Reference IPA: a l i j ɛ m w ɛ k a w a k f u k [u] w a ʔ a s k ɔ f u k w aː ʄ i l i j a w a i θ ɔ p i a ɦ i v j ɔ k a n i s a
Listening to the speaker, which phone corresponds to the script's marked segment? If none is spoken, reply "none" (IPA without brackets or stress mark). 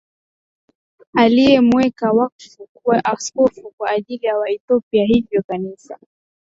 u